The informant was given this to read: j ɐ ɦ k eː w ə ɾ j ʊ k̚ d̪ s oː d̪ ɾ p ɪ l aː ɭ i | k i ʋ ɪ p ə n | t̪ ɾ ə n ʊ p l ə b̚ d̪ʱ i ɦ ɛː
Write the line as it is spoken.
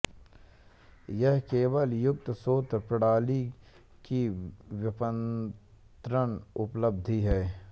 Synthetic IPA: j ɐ ɦ k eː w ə l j ʊ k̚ t̪ s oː t̪ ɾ p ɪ ɽ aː l i | k i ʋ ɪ p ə n | t̪ ɾ ə n ʊ p l ə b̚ d̪ʱ i ɦ ɛː